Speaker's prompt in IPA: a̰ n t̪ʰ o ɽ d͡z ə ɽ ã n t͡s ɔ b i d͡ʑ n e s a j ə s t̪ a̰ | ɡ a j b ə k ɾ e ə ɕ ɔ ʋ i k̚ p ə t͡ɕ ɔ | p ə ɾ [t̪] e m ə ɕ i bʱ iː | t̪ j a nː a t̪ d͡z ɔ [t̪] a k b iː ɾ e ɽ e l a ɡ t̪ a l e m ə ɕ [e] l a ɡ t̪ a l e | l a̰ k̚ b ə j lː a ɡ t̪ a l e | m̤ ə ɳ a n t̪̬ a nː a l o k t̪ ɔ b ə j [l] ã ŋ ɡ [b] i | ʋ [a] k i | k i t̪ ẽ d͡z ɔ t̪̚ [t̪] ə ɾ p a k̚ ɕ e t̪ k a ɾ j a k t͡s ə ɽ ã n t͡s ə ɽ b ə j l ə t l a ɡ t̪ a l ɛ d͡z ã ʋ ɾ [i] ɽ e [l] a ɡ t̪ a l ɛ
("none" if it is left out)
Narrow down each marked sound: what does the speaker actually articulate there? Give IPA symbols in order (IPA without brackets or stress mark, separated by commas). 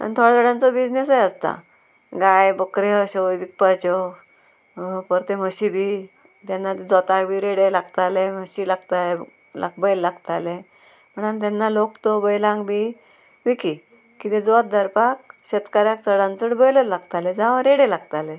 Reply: t̪, t̪, i, l, b, i, d̪, e, l